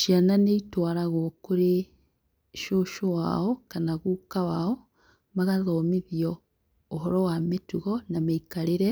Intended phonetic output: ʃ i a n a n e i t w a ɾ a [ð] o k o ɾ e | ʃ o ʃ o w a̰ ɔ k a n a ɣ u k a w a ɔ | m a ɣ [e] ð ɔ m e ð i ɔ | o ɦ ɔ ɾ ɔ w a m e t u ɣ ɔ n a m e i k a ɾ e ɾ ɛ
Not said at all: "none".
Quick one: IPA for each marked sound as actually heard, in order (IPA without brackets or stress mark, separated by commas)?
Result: ɣ, a